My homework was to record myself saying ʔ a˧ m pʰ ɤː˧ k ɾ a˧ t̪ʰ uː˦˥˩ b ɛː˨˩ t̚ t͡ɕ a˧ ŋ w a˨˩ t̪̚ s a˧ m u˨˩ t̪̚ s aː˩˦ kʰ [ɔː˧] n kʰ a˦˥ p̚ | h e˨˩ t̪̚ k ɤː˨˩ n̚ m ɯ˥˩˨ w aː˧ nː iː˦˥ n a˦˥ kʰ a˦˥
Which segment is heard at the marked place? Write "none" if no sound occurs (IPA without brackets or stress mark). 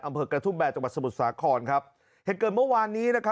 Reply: ɔː˧